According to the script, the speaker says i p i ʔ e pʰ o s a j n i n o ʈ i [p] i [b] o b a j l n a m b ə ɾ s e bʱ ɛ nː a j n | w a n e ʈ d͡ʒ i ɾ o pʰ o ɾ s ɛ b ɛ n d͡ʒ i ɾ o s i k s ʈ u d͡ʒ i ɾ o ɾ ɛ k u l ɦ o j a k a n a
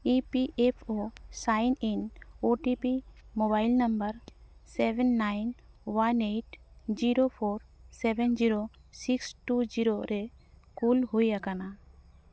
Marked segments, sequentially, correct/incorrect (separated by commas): correct, incorrect